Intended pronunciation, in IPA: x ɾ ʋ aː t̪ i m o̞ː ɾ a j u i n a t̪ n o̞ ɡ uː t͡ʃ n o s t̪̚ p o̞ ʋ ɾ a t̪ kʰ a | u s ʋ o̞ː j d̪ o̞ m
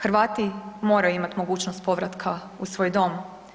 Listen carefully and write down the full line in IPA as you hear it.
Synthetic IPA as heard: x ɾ ʋ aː t̪ i m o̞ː ɾ a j u i m a t̪ m o̞ ɡ uː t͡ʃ n o s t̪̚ p o̞ ʋ ɾ a t̪ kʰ a | u s ʋ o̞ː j d̪ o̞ m

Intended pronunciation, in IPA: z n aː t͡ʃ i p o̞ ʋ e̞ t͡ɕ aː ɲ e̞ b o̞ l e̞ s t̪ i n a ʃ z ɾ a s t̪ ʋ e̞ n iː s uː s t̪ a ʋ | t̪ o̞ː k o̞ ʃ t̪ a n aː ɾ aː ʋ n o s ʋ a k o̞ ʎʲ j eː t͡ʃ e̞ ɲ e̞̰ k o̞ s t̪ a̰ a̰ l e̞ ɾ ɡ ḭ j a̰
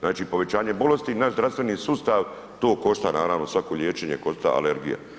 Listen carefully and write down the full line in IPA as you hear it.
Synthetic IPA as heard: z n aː t͡ʃ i p o̞ ʋ e̞ t͡ɕ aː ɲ e̞ b o̞ l e̞ s t̪ i n a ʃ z ɾ a s t̪ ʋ e̞ n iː s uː s t̪ a ʋ | t̪ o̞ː k o̞ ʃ t̪ a n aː ɾ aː ʋ n o s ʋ a k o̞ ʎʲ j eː t͡ʃ e̞ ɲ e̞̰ k o̞ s t̪ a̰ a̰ l e̞ ɾ ɡ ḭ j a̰

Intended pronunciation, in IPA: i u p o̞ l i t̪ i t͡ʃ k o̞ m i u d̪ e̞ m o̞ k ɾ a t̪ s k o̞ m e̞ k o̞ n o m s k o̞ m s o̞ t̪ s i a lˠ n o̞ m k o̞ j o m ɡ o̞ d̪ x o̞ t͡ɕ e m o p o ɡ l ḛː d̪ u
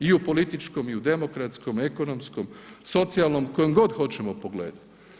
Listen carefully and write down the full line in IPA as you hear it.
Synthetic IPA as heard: i u p o̞ l i t̪ i t͡ʃ k o̞ m i u d̪ e̞ m o̞ k ɾ a t̪ s k o̞ m e̞ k o̞ n o m s k o̞ m s o̞ t̪ s i a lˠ n o̞ m k o̞ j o m ɡ o̞ d̪ x o̞ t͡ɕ e m o p o ɡ l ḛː d̪ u

